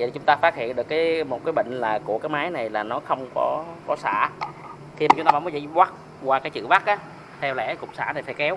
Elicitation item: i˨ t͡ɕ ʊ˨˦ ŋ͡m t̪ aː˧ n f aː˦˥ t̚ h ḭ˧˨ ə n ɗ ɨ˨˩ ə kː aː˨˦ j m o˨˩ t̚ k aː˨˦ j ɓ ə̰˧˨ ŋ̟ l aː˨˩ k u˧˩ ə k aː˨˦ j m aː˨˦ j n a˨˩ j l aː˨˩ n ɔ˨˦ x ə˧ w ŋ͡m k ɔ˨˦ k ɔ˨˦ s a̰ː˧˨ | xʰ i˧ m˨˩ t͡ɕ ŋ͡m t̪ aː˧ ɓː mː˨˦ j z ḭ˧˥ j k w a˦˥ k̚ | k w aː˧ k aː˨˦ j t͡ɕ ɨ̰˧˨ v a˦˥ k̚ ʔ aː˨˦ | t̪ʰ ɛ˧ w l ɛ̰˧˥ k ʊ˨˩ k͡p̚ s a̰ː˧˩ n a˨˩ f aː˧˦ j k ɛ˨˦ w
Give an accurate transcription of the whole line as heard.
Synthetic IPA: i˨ t͡ɕ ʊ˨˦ ŋ͡m t̪ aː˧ f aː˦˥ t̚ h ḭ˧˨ ə n ɗ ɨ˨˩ ə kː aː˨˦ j m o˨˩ t̚ k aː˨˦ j ɓ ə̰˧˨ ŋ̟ l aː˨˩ k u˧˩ ə k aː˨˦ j m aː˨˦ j n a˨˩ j l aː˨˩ n ɔ˨˦ x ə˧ w ŋ͡m k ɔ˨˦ k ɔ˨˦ s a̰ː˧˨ | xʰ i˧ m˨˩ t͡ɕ ŋ͡m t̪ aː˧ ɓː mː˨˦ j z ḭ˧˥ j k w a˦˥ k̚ | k w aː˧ k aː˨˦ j t͡ɕ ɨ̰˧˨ v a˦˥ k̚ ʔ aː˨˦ | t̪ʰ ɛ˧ w l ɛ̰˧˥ k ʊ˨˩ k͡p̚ s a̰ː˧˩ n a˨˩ f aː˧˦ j k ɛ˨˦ w

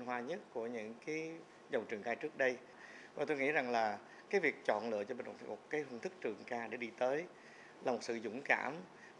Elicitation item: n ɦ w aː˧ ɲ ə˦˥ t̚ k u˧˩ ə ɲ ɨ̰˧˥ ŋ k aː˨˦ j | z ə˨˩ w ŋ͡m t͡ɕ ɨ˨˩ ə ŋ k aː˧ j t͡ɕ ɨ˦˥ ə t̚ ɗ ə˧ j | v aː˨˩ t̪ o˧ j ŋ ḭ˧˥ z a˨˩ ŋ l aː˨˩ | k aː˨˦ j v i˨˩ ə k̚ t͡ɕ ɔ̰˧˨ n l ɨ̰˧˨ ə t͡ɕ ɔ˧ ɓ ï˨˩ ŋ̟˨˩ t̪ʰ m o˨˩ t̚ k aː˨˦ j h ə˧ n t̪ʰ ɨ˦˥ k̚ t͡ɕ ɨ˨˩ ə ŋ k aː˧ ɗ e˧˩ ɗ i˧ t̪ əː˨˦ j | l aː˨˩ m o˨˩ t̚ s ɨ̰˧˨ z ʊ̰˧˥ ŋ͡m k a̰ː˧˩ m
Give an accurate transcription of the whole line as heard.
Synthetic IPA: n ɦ w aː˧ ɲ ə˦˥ t̚ k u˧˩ ə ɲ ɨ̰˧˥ ŋ k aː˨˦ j | z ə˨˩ w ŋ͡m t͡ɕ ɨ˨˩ ə ŋ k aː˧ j t͡ɕ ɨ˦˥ ə k̚ ɗ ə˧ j | v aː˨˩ t̪ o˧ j ŋ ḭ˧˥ z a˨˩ ŋ l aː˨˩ | k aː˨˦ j v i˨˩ ə k̚ t͡ɕ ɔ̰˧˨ n l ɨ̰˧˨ ə t͡ɕ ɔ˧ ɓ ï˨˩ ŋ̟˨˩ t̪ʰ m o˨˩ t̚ k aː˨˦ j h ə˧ n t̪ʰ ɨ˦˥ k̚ t͡ɕ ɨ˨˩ ə ŋ k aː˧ ɗ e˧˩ ɗ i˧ t̪ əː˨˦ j | l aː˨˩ m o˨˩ t̚ s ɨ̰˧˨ z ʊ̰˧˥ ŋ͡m k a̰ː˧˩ m

